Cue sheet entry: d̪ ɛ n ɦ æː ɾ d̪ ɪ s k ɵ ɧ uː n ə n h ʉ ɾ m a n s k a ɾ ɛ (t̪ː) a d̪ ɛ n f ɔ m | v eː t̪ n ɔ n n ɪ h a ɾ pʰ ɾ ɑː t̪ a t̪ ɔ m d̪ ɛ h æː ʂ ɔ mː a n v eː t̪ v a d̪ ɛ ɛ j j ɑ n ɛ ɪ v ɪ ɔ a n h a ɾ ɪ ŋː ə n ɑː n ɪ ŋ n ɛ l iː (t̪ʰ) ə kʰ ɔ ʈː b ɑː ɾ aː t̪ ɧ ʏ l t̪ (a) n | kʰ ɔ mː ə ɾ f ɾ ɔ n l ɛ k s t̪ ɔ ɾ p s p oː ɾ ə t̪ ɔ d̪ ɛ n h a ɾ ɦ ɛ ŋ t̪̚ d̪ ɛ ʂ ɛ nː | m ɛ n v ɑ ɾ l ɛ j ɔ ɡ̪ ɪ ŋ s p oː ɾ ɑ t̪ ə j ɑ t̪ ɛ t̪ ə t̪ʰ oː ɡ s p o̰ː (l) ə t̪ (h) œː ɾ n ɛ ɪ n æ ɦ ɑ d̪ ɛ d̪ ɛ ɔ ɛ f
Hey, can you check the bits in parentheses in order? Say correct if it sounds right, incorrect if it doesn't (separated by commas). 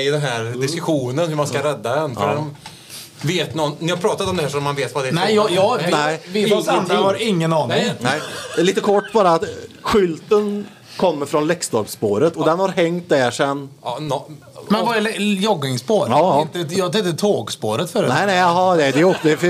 incorrect, incorrect, incorrect, incorrect, incorrect